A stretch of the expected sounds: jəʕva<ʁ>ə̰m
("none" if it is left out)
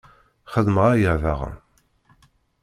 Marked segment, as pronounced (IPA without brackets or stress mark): ʁ